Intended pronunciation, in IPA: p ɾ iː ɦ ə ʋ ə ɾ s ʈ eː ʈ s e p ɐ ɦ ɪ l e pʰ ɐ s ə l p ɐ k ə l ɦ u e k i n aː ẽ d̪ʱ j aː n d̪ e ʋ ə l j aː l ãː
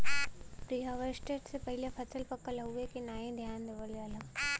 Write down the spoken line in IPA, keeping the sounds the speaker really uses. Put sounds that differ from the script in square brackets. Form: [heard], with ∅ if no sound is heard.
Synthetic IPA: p ɾ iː ɦ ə ʋ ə ɾ s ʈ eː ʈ s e p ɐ ɦ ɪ l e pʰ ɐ s ə l p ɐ k ə l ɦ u e k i n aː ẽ d̪ʱ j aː n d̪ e ʋ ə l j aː l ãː